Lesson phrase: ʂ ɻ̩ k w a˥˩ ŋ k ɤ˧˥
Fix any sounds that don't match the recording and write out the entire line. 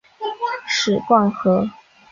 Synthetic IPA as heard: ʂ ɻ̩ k w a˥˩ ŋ x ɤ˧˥